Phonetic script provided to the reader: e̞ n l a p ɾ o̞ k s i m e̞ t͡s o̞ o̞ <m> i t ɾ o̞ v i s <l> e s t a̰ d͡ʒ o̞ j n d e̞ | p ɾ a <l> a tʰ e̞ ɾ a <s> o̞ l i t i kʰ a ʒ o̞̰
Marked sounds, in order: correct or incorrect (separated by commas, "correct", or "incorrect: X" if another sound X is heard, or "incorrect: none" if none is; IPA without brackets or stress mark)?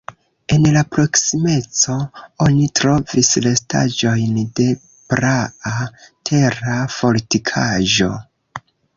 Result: incorrect: n, correct, incorrect: none, incorrect: f